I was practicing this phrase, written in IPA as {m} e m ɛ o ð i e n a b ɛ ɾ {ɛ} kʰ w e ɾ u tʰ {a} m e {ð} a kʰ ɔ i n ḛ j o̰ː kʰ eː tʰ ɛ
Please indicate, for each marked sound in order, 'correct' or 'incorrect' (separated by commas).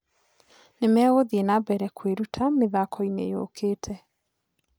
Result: incorrect, correct, correct, correct